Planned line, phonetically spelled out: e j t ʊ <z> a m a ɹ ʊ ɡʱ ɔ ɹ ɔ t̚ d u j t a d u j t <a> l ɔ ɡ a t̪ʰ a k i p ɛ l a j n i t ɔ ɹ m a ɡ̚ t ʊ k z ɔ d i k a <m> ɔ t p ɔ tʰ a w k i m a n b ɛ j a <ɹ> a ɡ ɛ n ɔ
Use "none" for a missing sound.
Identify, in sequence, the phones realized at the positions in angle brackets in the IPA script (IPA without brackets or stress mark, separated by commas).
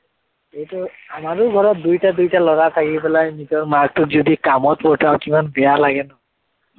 none, a, m, l